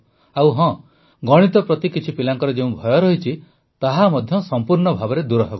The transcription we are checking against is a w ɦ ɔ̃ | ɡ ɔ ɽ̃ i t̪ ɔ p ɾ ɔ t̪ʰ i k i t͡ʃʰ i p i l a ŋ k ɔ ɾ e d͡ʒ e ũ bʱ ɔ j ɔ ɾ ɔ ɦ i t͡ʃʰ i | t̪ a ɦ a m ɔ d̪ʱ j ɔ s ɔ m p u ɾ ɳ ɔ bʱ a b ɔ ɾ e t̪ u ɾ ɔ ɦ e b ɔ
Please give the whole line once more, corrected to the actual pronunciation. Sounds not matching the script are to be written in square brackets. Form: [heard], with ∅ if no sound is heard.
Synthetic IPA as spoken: a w ɦ ɔ̃ | ɡ ɔ ɽ̃ i t̪ ɔ p ɾ ɔ [t̪] i k i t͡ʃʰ i p i l a ŋ k ɔ ɾ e d͡ʒ e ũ bʱ ɔ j ɔ ɾ ɔ ɦ i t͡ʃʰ i | t̪ a ɦ a m ɔ d̪ʱ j ɔ s ɔ m p u ɾ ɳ ɔ bʱ a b ɔ ɾ e [d̪] u ɾ ɔ ɦ e b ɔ